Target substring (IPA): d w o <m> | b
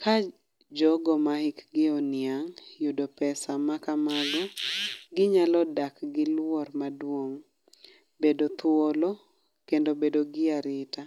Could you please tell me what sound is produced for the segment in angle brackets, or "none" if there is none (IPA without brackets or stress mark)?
ŋ